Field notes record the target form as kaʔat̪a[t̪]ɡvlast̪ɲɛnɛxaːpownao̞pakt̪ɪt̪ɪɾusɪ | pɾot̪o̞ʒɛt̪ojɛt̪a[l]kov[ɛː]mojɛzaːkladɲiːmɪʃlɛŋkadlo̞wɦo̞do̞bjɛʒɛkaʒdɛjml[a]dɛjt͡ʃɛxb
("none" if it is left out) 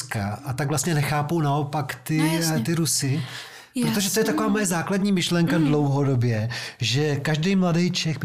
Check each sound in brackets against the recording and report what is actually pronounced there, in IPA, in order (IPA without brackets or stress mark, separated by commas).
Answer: none, none, aː, a